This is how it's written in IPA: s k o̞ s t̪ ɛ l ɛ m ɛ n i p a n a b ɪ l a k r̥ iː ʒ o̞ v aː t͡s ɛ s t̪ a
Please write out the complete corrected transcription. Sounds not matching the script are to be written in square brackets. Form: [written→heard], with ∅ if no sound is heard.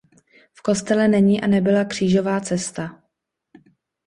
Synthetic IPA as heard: [s→f] k o̞ s t̪ ɛ l ɛ [m→n] ɛ [n→ɲ] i [p→ʔ] a n [a→ɛ] b ɪ l a k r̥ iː ʒ o̞ v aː t͡s ɛ s t̪ a